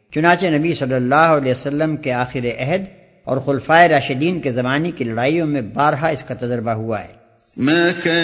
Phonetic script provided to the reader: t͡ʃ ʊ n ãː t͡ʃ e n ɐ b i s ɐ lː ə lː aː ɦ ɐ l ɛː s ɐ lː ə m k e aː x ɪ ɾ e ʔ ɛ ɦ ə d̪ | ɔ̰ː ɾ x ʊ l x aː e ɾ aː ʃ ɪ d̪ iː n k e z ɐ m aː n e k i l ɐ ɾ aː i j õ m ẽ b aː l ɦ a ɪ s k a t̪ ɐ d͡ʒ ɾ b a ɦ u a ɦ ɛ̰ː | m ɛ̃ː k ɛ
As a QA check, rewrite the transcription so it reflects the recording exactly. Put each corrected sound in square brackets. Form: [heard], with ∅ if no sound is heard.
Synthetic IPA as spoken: t͡ʃ ʊ n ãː t͡ʃ e n ɐ b i s ɐ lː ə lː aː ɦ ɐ l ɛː s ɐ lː ə m k e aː x ɪ ɾ e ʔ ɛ ɦ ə d̪ | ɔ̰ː ɾ x ʊ l [f] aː e ɾ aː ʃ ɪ d̪ iː n k e z ɐ m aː n e k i l ɐ [ɽ] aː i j õ m ẽ b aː [ɾ] ɦ a ɪ s k a t̪ ɐ d͡ʒ ɾ b a ɦ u a ɦ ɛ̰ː | m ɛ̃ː k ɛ